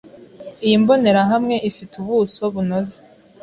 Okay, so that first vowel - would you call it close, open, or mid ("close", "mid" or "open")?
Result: close